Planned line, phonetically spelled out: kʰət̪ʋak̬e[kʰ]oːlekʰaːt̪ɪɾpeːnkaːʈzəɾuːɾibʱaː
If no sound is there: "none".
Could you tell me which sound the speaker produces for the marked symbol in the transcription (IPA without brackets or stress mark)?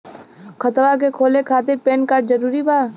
kʰ